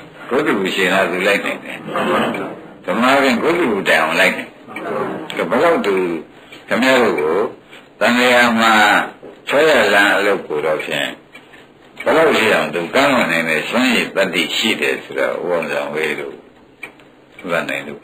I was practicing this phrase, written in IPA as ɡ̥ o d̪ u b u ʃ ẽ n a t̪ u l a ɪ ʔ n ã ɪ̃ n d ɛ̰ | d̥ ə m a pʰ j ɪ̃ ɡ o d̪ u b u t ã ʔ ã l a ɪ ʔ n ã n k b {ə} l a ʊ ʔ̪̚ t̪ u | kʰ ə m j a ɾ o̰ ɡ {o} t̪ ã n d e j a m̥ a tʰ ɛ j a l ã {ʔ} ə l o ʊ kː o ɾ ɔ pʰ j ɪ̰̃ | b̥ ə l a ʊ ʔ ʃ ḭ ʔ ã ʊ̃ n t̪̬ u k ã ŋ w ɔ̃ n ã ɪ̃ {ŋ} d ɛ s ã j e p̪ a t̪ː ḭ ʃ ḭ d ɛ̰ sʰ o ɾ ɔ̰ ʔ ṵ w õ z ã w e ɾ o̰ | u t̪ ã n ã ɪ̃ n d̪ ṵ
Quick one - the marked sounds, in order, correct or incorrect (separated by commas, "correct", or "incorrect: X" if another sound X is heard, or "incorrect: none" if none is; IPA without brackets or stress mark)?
correct, correct, correct, incorrect: n